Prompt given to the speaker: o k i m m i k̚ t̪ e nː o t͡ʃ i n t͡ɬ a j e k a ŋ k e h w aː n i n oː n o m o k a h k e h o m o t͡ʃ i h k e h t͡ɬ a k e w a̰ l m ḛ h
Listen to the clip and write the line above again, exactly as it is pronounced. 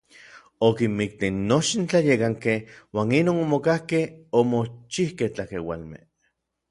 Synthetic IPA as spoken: o k i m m i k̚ t̪ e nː o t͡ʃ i n t͡ɬ a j e k a ŋ k e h w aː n i n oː n o m o k a h k e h o m o t͡ʃ i h k e h t͡ɬ a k e w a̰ l m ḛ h

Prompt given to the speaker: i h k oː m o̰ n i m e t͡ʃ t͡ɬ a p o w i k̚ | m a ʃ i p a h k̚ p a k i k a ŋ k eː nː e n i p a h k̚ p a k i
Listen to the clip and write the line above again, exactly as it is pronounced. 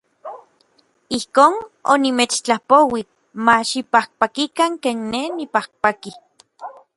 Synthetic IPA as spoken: i h k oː n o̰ n i m e t͡ʃ t͡ɬ a p o w i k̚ | m a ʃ i p a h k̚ p a k i k a ŋ k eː nː e n i p a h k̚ p a k i

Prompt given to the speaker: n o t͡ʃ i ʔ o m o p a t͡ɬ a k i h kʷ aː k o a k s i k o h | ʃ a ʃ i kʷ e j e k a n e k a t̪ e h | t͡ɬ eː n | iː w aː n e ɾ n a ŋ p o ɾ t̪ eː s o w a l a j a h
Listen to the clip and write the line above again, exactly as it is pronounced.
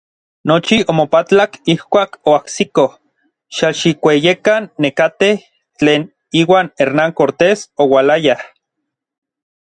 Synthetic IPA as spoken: n o t͡ʃ i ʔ o m o p a t͡ɬ a k i h kʷ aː k o a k s i k o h | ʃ a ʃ i kʷ e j e k a nː e k a t̪ e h | t͡ɬ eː n | iː w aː n e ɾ n a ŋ k o ɾ t̪ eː s o w a l a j a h

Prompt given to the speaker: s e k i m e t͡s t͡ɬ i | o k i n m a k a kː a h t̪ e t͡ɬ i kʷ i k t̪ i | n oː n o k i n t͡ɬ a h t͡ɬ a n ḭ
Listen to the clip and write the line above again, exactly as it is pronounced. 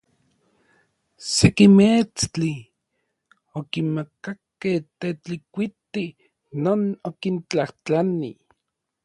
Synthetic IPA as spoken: s e k i m e t͡s t͡ɬ i | o k i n m a k a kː e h t̪ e t͡ɬ i kʷ i t̪ i | n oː n o k i n t͡ɬ a h t͡ɬ a n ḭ

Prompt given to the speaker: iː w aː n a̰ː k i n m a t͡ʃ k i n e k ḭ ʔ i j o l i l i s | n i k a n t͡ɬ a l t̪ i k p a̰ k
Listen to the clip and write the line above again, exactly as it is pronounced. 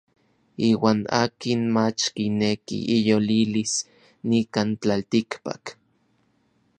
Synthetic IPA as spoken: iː w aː n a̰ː k i n m a t͡ʃ k i n e k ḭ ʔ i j o l i l i s | n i k a n t͡ɬ a l t̪ i k p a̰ k

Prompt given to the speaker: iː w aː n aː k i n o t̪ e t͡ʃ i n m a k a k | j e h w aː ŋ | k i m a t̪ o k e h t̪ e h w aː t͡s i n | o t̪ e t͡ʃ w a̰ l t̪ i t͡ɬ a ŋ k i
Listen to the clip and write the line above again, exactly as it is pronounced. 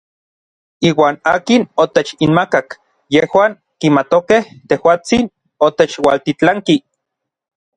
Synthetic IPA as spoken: iː w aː n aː k i n o t̪ e t͡ʃ i n m a k a k | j e h w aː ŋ | k i m a t̪ o k e h t̪ e h w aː t͡s i n | o t̪ e t͡ʃ w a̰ l t̪ i t͡ɬ a ŋ k i

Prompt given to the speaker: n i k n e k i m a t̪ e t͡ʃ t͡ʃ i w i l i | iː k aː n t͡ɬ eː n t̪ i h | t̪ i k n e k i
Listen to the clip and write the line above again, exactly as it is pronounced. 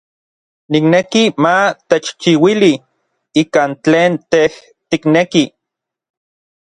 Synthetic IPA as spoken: n i k n e k i m a t̪ e t͡ʃ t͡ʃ i w i l i | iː k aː n t͡ɬ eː n t̪ e h | t̪ i k n e k i

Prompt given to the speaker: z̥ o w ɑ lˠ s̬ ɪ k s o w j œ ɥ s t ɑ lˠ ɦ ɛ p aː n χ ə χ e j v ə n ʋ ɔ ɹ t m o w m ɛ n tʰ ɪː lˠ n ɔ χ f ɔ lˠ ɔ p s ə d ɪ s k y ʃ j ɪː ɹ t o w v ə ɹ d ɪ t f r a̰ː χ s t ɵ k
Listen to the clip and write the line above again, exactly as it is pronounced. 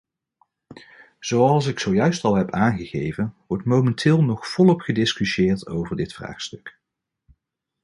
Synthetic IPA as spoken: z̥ o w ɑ lˠ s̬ ɪ k s o w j œ ɥ s t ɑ lˠ ɦ ɛ p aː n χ ə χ e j v ə n ʋ ɔ ɹ t m o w m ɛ n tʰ ɪː lˠ n ɔ χ f ɔ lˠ ɔ p χ ə d ɪ s k y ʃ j ɪː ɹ t o w v ə ɹ d ɪ t f r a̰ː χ s t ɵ k

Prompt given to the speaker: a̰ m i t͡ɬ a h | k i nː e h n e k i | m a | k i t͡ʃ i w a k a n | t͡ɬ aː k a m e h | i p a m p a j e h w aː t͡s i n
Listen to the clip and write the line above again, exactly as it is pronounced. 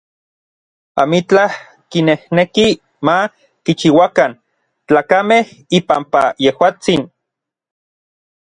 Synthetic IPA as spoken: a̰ m i t͡ɬ a h | k i n e h n e k i | m a | k i t͡ʃ i w a k a n | t͡ɬ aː k a m e h | i p a m p a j e h w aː t͡s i n

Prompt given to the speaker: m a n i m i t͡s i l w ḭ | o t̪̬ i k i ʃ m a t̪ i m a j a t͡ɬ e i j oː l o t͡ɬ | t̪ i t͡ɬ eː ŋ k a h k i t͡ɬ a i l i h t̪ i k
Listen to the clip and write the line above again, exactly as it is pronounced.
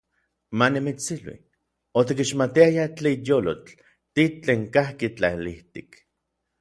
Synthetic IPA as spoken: m a n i m i t͡s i l w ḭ | o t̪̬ i k i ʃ m a t̪ i a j a t͡ɬ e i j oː l o t͡ɬ | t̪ i t͡ɬ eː ŋ k a h k i t͡ɬ a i l i h t̪ i k

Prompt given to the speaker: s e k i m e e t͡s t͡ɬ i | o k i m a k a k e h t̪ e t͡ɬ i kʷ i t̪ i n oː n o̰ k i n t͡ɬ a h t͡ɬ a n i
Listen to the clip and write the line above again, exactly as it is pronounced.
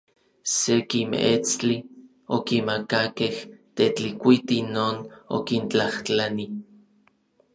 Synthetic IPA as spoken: s e k i m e e t͡s t͡ɬ i | o k i m a k a k e h t̪ e t͡ɬ i kʷ i t̪ i n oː n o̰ k i n t͡ɬ a h t͡ɬ a n i

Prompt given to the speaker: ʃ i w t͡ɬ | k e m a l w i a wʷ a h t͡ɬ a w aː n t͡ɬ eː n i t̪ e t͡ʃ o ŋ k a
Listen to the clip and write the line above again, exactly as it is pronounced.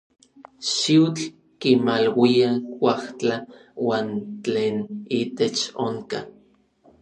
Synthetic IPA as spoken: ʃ i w t͡ɬ | k i m a l w i a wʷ a h t͡ɬ a w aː n t͡ɬ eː n i t̪ e t͡ʃ o ŋ k a

